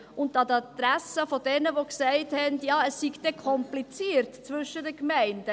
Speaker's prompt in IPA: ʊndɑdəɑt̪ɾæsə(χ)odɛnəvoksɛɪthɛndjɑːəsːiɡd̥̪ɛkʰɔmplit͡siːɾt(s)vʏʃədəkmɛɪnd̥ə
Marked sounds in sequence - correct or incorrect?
incorrect: f, incorrect: t͡s

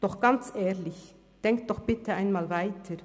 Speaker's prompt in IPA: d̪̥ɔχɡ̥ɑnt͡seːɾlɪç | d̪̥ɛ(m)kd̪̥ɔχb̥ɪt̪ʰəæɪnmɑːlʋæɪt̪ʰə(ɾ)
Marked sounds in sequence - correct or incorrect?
incorrect: ŋ, correct

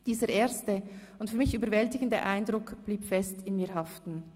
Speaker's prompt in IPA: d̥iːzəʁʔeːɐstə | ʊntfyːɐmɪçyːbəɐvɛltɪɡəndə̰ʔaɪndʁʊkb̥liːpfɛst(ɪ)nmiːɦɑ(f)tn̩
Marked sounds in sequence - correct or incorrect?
correct, correct

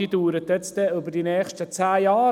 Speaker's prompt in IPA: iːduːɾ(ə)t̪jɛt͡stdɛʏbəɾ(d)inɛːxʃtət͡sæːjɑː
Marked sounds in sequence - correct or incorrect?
correct, correct

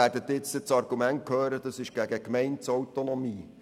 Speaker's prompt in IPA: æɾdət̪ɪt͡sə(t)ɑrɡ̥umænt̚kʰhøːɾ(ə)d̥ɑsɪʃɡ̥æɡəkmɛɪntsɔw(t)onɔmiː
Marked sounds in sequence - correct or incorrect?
incorrect: t͡s, correct, correct

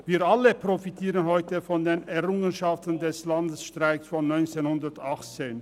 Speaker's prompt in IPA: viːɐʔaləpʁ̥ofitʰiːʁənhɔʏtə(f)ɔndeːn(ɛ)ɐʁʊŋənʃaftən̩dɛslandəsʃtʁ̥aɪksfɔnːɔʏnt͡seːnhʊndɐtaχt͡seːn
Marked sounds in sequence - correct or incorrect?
correct, correct

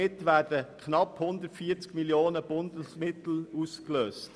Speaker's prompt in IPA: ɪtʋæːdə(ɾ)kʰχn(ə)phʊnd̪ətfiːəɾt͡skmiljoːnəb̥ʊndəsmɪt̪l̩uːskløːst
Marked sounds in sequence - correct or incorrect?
incorrect: none, incorrect: ɑ

